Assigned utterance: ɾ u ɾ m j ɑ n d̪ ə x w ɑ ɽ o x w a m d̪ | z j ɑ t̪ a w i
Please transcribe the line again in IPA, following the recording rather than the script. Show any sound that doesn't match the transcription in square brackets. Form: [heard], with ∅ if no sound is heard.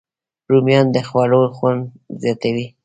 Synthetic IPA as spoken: ɾ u [∅] m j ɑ n d̪ ə x w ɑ [l] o x w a [n] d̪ | z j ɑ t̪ a w i